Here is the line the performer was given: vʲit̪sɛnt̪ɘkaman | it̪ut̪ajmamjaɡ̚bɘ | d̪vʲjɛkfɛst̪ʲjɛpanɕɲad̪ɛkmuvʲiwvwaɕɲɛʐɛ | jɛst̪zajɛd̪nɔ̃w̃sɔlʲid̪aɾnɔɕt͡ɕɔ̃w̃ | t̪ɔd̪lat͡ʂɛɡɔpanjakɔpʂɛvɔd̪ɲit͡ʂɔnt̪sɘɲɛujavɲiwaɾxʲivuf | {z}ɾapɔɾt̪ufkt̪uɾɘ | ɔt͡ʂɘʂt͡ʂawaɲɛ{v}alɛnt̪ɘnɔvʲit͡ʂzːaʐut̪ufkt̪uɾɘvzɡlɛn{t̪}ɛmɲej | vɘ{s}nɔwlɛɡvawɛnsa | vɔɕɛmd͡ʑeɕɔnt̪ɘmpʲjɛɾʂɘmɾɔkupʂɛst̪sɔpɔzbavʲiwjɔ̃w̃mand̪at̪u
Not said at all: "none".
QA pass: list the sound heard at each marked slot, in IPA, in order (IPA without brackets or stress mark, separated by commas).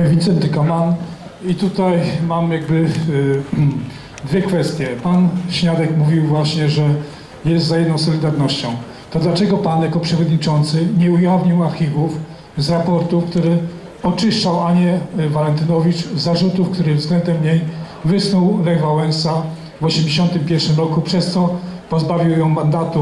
z, v, d̪, s